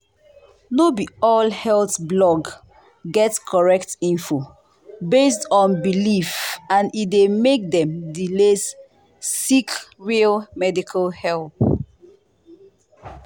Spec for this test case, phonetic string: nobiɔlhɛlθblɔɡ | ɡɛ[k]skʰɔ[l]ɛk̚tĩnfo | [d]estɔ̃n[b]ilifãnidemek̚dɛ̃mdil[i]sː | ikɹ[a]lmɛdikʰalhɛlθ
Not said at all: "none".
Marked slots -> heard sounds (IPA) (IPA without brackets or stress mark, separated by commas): t, ɹ, b, b, e, i